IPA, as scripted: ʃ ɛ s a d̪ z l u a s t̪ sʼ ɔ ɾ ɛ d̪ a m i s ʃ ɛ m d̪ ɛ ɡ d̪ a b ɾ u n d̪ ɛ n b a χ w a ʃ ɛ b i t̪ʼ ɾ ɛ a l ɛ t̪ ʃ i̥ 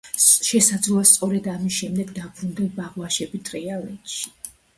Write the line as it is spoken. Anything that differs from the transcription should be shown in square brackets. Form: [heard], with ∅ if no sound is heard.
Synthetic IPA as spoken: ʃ ɛ s a d̪ z l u a s t̪ sʼ ɔ ɾ ɛ d̪ a m i s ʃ ɛ m d̪ ɛ ɡ d̪ a b ɾ u n d̪ ɛ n b a [ʁ] w a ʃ ɛ b i t̪ʼ ɾ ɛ a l ɛ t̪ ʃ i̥